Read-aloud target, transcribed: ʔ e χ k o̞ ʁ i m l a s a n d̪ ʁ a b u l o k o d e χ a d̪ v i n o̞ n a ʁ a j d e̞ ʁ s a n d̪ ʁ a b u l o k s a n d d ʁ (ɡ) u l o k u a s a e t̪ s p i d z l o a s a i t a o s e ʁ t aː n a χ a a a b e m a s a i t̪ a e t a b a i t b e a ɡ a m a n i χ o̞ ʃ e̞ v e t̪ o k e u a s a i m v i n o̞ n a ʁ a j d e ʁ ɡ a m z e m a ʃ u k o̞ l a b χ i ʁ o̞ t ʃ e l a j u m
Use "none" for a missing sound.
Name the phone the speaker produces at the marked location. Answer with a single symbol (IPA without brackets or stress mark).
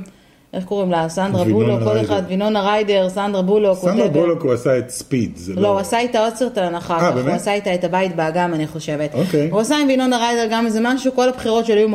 b